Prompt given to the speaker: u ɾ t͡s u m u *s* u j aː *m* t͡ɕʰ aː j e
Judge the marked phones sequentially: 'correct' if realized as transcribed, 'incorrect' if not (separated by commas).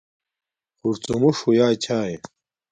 incorrect, incorrect